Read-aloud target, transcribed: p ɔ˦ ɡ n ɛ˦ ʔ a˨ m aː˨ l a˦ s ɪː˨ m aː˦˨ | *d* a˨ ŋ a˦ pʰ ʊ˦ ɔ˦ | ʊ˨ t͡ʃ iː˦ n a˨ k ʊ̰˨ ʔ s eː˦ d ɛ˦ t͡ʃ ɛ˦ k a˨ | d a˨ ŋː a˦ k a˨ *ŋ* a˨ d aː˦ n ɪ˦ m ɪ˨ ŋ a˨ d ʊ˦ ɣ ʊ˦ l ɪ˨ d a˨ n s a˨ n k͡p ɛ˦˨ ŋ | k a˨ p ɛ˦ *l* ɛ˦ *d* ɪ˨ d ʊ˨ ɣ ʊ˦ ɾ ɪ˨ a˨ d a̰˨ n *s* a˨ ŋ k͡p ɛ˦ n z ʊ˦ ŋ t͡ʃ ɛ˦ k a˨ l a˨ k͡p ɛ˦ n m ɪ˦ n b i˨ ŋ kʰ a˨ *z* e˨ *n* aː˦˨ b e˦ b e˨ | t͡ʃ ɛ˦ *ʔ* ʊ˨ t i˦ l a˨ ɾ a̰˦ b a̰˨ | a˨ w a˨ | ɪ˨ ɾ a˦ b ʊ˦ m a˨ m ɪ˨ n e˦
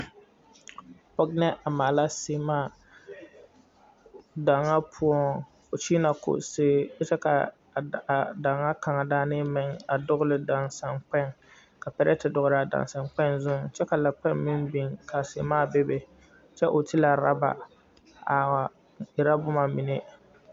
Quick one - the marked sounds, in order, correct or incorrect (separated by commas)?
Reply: correct, correct, incorrect, incorrect, correct, incorrect, incorrect, correct